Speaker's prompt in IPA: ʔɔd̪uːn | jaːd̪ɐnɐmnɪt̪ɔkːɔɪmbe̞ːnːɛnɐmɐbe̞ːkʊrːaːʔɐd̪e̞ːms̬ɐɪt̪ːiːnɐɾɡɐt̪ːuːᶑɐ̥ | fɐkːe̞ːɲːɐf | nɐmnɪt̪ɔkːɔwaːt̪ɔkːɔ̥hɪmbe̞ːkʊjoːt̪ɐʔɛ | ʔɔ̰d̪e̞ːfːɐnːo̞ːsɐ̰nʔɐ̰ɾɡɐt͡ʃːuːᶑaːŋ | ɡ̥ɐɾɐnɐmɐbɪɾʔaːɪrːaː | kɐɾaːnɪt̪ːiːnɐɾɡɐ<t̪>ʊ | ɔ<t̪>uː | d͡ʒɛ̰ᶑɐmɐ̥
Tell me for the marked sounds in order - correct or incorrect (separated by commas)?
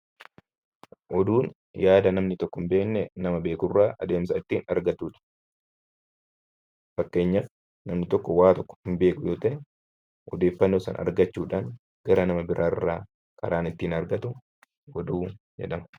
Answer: correct, incorrect